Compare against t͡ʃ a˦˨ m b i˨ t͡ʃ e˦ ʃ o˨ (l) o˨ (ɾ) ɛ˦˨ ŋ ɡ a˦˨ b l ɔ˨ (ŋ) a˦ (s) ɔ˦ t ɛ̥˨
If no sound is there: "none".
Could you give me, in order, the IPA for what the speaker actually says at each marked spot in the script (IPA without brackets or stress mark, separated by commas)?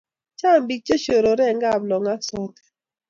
ɾ, ɾ, ŋ, s